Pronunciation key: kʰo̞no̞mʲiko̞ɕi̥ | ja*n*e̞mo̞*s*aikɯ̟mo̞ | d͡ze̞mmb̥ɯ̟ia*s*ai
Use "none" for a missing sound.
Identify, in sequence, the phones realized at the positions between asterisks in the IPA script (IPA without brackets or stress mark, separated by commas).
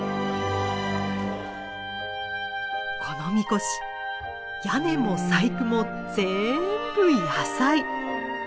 n, s, s